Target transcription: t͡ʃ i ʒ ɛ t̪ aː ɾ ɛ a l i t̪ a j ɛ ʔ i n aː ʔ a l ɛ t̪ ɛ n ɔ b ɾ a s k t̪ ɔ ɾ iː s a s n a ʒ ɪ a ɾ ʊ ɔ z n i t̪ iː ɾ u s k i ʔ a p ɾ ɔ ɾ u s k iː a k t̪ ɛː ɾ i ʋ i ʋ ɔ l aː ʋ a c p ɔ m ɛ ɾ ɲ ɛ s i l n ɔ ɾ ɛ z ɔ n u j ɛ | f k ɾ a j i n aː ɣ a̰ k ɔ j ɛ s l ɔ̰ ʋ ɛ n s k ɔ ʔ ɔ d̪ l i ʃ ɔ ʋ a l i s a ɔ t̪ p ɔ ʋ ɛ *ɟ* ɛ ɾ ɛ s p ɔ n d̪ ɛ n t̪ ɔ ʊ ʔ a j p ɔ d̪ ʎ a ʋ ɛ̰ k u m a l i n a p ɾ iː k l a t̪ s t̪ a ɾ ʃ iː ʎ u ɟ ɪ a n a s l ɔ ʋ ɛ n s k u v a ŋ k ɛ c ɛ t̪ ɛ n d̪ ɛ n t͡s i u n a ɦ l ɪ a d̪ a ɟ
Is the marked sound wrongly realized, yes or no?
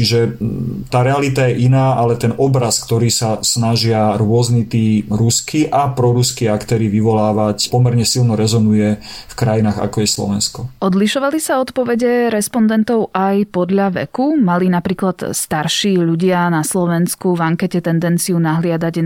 no